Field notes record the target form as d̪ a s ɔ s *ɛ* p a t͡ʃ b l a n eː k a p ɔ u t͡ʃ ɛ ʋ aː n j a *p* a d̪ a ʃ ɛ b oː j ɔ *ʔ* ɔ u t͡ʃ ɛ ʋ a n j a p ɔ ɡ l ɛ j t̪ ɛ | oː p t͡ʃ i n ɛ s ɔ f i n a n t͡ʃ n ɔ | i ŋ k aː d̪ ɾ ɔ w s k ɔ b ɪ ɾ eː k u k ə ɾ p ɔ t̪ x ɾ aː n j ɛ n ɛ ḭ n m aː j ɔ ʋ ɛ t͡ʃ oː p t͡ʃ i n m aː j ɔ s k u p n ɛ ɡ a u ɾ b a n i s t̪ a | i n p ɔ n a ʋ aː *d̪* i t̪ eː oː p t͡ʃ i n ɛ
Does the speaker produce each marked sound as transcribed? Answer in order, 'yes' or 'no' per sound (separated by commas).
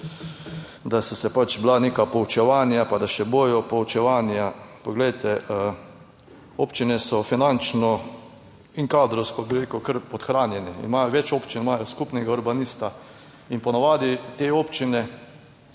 yes, yes, no, yes